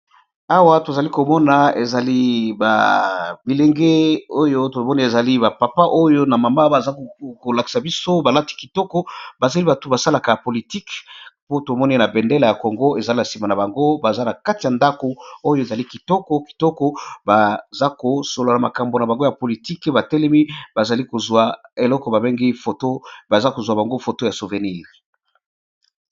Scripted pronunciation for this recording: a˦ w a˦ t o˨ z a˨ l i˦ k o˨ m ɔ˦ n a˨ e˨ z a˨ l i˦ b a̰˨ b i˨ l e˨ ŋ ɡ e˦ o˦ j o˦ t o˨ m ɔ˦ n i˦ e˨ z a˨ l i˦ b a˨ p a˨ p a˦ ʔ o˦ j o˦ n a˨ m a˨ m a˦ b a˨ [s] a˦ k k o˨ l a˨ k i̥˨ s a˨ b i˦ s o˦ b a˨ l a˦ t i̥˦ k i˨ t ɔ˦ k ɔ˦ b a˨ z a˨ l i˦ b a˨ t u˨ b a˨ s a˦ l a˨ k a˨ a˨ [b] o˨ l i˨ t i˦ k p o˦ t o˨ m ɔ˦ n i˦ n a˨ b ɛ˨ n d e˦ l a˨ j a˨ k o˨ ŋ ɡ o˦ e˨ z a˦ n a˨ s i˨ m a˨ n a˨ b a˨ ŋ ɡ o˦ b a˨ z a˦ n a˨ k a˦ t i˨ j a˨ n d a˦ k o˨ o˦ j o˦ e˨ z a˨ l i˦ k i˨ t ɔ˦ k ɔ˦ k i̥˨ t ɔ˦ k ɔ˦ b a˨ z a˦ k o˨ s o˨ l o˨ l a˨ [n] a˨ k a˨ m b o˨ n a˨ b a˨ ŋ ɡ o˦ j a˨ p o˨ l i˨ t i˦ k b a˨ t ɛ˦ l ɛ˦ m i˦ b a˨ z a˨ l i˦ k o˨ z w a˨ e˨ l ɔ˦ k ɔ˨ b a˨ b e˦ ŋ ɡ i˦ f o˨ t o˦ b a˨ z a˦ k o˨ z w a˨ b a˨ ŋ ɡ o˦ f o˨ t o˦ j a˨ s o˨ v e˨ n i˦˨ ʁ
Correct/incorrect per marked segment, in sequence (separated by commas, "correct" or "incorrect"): incorrect, incorrect, incorrect